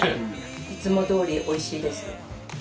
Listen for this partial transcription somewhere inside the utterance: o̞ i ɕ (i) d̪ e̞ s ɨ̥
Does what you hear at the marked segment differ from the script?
yes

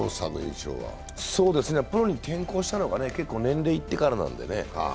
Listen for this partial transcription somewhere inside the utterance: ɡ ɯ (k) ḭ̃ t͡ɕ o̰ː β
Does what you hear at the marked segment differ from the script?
yes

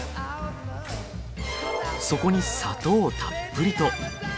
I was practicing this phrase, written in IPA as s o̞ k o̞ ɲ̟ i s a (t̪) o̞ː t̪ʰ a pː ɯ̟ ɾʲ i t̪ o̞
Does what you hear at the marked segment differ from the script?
no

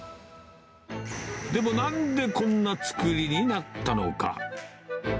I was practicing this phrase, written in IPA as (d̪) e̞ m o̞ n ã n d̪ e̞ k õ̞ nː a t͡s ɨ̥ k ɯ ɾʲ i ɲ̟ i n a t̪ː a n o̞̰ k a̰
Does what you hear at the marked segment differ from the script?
no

